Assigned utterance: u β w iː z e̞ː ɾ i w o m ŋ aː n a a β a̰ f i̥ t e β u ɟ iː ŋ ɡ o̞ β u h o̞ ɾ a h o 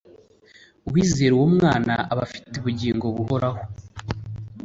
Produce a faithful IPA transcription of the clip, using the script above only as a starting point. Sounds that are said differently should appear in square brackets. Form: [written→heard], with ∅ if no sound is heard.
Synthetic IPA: u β w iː z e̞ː ɾ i w o m ŋ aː n a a β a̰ f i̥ t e β u ɟ iː ŋ ɡ o̞ β u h o̞ ɾ a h o